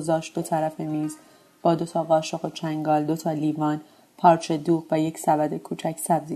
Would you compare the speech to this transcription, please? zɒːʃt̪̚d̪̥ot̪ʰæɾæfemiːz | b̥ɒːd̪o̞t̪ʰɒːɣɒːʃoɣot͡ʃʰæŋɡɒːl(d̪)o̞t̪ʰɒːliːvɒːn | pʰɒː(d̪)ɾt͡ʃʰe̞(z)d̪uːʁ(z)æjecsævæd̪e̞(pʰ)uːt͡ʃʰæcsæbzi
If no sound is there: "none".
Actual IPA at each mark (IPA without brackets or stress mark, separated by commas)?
d̪, none, none, v, kʰ